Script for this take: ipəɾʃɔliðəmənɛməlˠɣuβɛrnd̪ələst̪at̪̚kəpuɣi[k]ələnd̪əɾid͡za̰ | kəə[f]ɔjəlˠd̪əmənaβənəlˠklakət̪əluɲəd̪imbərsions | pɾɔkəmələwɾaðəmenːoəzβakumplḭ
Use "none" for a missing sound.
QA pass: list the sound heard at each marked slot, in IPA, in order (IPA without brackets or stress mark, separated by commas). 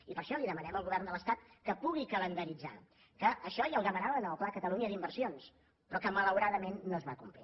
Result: k, ʃ